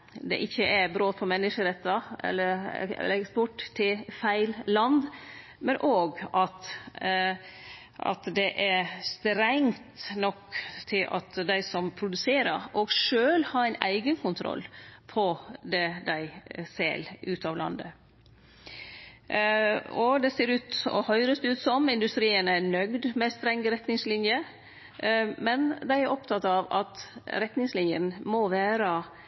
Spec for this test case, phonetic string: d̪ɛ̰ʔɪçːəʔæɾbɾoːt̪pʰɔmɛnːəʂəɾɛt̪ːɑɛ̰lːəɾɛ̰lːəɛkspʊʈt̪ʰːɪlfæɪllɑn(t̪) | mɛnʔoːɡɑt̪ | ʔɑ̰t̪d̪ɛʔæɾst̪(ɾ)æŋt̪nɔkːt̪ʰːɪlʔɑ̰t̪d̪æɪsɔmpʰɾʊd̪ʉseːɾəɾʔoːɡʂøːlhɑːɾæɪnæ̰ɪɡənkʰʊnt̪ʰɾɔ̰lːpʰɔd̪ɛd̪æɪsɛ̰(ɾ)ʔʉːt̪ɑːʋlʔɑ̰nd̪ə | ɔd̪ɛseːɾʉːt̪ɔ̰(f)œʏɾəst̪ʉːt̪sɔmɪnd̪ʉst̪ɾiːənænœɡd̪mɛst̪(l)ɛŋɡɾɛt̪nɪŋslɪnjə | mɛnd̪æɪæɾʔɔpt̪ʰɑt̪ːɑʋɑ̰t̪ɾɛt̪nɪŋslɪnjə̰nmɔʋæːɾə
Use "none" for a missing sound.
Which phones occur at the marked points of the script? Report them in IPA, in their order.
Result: d̪, ɾ, l, h, ɾ

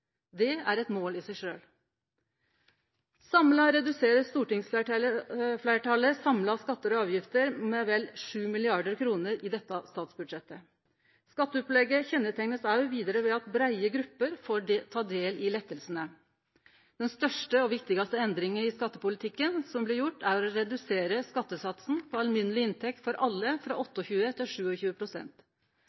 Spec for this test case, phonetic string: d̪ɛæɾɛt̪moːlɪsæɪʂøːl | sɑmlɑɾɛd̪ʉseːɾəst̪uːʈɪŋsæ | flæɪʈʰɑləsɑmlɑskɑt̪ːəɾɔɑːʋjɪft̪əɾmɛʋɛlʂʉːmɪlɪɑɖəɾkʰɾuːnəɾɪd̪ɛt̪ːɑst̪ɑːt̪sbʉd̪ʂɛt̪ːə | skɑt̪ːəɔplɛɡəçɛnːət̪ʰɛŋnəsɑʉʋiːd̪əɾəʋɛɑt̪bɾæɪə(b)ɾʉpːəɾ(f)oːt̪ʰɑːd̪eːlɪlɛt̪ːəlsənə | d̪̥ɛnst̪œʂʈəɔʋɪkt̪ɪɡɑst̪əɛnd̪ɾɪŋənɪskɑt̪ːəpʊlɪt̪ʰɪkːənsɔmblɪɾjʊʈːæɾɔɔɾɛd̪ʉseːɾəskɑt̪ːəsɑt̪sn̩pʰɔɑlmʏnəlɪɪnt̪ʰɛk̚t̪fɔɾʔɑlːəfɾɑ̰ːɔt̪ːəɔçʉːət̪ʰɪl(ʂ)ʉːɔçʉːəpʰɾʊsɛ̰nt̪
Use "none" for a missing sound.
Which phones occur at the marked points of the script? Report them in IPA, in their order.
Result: ɡ, f, ʂ

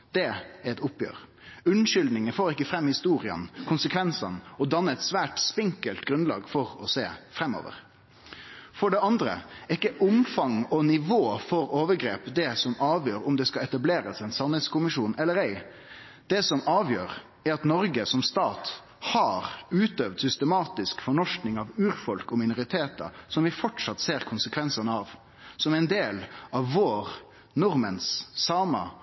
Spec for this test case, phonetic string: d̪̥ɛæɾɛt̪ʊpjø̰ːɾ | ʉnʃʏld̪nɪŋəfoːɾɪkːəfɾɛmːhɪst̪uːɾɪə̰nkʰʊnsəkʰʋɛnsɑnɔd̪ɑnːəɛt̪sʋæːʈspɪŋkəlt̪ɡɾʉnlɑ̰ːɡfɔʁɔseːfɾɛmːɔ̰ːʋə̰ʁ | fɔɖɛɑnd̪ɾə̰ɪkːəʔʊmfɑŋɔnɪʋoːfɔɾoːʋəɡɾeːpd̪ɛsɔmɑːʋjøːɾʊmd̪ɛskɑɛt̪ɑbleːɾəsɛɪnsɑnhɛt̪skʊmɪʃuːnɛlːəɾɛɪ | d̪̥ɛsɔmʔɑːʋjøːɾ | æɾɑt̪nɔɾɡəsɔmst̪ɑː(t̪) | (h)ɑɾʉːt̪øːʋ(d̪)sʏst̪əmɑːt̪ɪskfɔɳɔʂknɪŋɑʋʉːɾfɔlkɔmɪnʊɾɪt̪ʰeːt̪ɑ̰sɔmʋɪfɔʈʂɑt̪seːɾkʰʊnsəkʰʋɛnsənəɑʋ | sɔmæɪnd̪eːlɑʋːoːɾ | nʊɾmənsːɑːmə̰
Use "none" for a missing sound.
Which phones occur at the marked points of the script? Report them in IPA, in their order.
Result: t̪, h, d̪

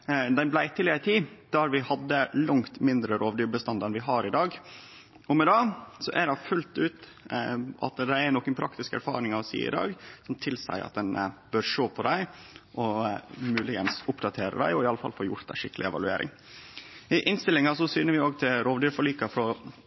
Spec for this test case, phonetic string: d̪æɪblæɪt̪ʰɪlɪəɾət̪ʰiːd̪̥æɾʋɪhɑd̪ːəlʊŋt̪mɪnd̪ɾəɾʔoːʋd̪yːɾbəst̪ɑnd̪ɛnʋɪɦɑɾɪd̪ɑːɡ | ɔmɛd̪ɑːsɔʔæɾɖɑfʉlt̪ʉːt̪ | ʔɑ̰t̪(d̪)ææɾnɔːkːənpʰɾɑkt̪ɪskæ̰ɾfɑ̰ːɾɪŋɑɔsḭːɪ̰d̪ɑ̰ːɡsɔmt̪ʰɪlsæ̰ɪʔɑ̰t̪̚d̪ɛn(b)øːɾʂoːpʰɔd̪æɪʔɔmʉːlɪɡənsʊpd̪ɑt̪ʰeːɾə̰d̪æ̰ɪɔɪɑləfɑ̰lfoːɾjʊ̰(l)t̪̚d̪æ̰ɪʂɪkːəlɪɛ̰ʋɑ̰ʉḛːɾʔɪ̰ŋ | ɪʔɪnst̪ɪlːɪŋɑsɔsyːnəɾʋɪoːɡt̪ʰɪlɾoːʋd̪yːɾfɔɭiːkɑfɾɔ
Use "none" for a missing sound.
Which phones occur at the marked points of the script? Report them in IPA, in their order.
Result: d̪, b, ɾ

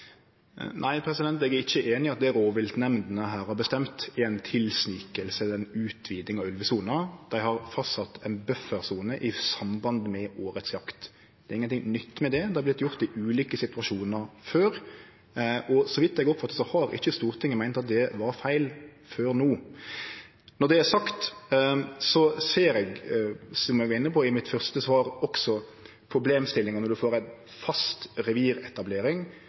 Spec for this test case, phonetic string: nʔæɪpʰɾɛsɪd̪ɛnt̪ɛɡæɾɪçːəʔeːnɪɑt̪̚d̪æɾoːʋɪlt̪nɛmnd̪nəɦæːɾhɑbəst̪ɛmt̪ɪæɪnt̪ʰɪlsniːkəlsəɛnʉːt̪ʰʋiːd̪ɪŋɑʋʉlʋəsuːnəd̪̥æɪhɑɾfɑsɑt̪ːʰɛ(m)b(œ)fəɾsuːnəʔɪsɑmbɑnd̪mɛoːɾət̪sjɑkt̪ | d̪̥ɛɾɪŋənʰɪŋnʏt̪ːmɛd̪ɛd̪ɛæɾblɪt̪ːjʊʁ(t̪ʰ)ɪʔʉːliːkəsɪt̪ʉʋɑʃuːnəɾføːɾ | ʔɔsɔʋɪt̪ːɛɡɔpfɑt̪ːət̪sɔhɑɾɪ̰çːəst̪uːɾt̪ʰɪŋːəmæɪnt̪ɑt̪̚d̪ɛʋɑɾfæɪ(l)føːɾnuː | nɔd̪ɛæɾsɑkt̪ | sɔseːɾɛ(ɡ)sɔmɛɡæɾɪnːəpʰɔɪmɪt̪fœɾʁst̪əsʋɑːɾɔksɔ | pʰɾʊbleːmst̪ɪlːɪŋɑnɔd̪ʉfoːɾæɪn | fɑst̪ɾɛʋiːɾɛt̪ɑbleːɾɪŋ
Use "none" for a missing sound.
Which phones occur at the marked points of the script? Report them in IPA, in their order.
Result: n, œ, t̪, l, ɡ

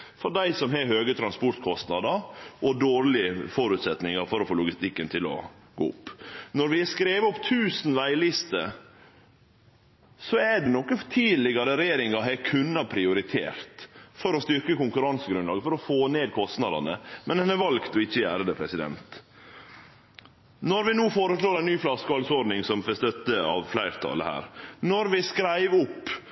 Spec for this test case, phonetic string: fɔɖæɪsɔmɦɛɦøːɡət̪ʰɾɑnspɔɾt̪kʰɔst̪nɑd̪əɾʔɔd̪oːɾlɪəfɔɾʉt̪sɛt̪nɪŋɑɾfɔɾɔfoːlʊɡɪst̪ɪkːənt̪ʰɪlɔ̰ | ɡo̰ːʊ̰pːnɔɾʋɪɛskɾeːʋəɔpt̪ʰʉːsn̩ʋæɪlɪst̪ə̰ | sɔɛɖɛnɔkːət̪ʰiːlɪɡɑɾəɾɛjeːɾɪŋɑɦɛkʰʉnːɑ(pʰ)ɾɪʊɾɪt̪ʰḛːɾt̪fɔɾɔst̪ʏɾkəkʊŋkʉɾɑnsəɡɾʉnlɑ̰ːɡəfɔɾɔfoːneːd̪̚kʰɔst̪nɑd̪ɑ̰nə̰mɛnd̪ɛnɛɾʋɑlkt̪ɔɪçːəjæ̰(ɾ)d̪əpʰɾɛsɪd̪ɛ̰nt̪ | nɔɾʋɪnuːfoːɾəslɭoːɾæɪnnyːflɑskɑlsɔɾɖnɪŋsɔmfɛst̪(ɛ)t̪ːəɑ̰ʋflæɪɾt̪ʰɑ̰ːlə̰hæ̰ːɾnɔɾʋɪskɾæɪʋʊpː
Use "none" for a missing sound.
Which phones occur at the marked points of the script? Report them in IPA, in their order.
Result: pʰ, ɾ, œ

